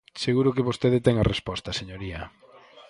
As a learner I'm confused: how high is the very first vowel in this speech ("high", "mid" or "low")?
mid